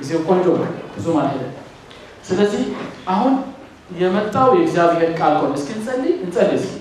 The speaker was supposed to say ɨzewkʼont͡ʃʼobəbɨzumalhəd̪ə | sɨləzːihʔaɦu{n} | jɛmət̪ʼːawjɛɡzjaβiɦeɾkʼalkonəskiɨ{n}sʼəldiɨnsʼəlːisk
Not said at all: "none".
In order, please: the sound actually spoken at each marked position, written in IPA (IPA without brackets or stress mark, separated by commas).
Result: n, n